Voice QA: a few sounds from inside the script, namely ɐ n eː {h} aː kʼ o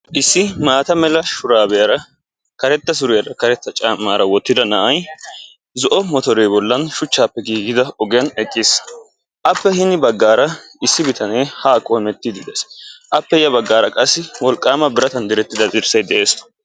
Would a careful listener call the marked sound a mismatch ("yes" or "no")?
no